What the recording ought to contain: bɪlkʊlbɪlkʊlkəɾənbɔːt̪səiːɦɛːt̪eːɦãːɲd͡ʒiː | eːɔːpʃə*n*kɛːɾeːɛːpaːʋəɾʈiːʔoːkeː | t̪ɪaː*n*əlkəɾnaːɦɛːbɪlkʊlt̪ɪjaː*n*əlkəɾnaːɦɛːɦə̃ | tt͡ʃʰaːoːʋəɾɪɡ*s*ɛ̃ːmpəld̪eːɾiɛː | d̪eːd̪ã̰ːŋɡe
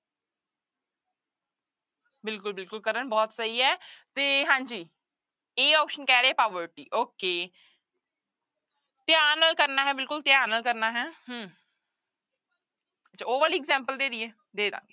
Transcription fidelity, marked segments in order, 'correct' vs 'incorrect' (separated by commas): correct, correct, correct, incorrect